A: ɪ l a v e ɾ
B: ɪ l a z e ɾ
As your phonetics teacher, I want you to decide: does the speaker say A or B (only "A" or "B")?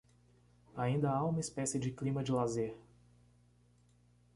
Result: B